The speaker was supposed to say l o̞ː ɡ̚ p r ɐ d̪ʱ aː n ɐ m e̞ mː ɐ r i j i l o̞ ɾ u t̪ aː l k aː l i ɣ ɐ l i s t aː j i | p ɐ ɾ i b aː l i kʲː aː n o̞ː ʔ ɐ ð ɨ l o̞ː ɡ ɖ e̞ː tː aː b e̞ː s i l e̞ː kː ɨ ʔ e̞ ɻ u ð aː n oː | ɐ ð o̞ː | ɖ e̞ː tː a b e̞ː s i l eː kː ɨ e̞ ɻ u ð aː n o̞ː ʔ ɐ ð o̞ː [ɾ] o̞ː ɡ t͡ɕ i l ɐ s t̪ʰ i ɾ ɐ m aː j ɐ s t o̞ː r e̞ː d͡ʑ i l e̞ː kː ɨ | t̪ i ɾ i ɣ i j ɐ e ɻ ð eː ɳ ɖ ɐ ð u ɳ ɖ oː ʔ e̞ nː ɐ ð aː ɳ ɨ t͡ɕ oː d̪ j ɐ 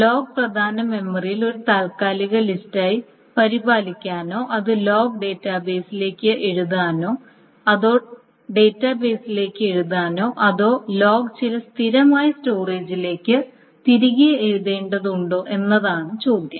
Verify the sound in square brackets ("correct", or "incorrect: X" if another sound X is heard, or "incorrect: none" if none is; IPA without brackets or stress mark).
incorrect: l